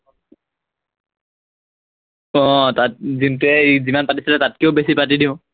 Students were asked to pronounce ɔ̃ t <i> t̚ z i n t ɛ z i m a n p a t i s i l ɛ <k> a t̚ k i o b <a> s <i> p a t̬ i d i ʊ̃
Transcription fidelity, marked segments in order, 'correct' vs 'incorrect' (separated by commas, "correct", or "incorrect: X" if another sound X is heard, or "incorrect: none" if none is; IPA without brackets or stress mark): incorrect: a, incorrect: t, incorrect: e, correct